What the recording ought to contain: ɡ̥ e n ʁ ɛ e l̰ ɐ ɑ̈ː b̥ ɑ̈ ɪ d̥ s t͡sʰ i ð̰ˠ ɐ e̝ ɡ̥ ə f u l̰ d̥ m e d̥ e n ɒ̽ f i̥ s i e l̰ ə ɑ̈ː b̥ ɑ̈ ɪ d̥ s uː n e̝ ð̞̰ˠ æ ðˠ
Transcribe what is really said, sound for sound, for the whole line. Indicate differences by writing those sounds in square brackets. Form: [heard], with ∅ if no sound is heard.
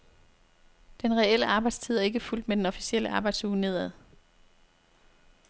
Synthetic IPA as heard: [d̥] e n ʁ ɛ e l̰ [ə] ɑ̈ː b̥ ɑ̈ ɪ d̥ s t͡sʰ i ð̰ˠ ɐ e̝ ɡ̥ ə f u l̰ d̥ m e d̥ e n ɒ̽ f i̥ s i e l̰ ə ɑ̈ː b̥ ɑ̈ ɪ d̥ s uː n e̝ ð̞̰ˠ æ ðˠ